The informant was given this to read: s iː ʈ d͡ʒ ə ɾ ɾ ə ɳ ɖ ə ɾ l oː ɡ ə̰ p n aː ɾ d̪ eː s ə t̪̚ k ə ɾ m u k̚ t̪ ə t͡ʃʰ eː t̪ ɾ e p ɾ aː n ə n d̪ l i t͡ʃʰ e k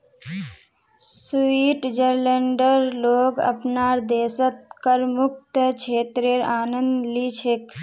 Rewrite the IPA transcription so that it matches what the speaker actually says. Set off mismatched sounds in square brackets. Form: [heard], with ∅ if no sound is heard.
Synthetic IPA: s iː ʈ d͡ʒ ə ɾ [l] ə ɳ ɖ ə ɾ l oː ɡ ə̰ p n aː ɾ d̪ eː s ə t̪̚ k ə ɾ m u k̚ t̪ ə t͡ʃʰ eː t̪ ɾ e [∅] ɾ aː n ə n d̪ l i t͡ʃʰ e k